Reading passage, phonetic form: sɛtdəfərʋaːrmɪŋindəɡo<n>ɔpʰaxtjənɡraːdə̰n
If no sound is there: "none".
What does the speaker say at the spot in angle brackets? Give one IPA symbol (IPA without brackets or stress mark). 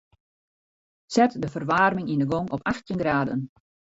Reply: ŋ